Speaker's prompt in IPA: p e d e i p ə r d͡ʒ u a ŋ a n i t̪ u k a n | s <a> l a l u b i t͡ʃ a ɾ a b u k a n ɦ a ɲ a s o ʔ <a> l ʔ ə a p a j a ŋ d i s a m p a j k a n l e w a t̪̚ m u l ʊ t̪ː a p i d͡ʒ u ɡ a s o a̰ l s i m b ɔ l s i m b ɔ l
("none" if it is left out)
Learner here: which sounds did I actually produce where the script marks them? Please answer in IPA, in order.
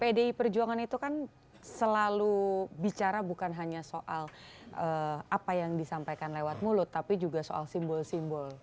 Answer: ə, a

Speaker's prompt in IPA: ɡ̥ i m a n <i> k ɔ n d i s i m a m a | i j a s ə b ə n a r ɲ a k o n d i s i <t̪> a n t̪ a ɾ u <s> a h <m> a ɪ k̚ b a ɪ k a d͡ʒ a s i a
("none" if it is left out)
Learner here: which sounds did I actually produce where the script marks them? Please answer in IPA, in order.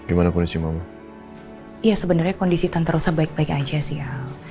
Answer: a, t̪, s, b

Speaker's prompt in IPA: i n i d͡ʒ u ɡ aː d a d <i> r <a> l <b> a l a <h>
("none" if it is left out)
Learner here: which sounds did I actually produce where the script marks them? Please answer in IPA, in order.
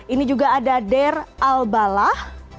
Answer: ɛ, a, b, h

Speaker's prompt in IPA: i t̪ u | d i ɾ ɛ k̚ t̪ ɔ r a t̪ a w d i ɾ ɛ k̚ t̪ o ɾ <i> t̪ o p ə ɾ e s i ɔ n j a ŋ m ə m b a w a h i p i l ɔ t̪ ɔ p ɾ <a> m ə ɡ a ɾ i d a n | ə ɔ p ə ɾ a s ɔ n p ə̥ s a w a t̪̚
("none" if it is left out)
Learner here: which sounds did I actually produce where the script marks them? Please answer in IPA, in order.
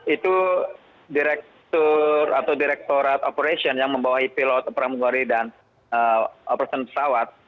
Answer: a, a

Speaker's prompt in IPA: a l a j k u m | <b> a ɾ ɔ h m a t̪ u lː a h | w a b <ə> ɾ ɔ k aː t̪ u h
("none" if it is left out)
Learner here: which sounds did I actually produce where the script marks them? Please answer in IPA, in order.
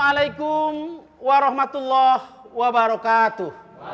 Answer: w, a

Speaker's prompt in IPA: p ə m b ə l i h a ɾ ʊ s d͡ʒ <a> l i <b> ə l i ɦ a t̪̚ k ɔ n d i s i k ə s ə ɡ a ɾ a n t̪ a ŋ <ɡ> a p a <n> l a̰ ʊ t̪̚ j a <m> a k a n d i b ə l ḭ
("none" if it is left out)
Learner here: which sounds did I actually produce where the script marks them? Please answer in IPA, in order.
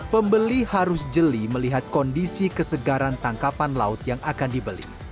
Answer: ə, m, k, n, ŋ

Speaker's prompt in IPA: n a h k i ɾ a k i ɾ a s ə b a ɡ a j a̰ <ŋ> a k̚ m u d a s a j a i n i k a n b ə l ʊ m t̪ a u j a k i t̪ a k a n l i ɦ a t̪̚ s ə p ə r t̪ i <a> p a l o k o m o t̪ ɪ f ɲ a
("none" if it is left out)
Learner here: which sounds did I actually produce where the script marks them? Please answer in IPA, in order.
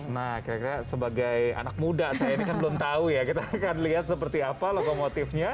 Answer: n, a

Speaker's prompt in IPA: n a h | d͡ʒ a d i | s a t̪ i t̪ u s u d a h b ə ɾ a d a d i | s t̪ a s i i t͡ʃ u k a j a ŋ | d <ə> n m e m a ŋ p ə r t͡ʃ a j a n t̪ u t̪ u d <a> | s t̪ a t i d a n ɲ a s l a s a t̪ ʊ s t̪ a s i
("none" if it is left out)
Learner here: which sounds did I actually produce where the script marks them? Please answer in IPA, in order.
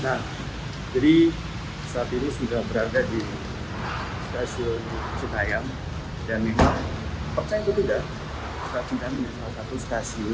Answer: a, a

